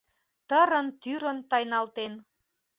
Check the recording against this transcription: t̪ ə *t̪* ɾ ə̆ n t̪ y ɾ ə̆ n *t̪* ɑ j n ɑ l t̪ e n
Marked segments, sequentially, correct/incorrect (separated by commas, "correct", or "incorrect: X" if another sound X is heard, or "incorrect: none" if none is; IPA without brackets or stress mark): incorrect: none, correct